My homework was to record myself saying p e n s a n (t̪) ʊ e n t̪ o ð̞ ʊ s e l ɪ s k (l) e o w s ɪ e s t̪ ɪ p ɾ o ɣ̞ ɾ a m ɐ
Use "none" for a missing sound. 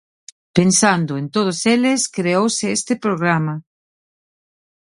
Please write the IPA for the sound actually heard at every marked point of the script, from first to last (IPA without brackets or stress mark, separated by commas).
d̪, ɾ